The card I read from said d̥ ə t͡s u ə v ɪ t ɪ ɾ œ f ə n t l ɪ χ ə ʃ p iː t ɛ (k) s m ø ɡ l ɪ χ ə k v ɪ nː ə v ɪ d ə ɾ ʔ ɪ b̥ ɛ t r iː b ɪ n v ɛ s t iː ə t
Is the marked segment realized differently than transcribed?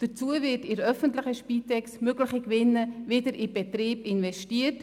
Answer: no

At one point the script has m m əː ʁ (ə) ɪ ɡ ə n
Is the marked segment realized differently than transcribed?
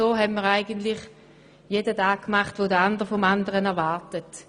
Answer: yes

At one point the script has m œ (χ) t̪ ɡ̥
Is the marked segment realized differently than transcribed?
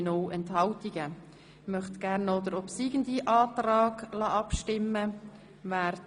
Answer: no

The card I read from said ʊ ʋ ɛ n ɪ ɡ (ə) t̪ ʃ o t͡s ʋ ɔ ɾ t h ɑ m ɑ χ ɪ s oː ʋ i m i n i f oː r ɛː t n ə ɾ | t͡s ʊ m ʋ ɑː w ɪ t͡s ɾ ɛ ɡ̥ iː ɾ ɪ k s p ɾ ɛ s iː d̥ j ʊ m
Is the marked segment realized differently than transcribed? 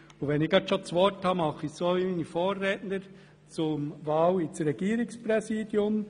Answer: yes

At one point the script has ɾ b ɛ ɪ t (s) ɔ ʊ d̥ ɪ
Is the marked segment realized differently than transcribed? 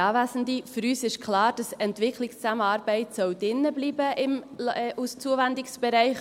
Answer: no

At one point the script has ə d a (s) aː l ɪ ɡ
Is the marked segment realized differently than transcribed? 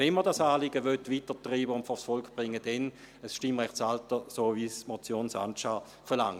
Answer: no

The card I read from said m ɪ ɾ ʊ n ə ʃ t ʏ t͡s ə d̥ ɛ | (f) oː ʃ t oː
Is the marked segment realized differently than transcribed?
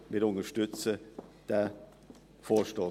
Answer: no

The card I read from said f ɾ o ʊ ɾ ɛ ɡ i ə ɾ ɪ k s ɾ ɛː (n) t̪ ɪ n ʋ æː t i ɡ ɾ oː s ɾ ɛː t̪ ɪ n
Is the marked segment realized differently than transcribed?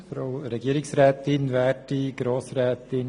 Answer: yes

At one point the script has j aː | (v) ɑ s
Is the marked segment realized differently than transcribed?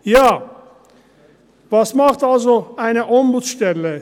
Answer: no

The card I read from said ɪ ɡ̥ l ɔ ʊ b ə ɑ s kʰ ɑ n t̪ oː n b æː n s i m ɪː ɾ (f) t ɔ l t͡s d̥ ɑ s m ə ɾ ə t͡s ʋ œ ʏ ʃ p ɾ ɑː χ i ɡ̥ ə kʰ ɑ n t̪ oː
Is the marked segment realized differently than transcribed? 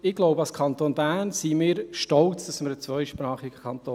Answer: yes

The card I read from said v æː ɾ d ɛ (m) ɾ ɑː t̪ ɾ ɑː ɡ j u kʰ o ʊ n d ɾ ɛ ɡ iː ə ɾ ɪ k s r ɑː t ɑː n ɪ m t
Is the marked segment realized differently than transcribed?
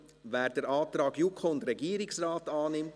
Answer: yes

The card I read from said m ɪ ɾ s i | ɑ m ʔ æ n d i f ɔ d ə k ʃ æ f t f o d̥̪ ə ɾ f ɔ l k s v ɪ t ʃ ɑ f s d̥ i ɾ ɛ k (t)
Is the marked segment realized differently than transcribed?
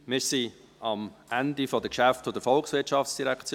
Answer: yes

